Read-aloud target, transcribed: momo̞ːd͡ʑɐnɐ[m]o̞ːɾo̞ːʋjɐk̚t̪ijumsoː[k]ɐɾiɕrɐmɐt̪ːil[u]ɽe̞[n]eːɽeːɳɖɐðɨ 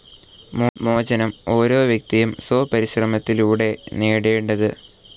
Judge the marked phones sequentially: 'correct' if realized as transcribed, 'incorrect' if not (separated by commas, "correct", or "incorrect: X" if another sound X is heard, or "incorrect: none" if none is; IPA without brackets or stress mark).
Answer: correct, incorrect: p, incorrect: uː, correct